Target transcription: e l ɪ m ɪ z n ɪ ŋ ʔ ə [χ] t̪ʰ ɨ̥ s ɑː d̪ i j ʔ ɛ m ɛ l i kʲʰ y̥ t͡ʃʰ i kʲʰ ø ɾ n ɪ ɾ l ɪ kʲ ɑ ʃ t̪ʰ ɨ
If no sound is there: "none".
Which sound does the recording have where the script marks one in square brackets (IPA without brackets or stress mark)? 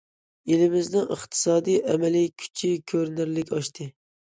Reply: χ